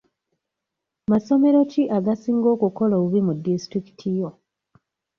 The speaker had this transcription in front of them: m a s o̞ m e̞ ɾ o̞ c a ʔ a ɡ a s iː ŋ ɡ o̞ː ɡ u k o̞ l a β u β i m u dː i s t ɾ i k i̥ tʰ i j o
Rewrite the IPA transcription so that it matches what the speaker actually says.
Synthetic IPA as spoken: m a s o̞ m e̞ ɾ o̞ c i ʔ a ɡ a s iː ŋ ɡ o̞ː k u k o̞ l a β u β i m u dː i s t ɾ i k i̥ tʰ i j o